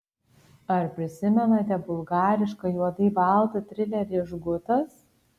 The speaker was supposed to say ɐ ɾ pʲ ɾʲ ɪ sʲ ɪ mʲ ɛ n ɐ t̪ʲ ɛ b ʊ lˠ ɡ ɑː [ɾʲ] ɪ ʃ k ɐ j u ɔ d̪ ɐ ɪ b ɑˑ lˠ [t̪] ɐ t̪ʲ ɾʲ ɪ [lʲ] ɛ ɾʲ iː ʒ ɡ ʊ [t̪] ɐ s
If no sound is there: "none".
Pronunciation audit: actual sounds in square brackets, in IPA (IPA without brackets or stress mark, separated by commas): ɾʲ, t̪, lʲ, t̪